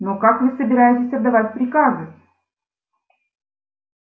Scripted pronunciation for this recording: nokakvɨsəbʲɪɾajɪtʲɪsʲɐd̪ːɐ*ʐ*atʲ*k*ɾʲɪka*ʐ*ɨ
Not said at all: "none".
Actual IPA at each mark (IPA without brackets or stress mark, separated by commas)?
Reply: v, p, z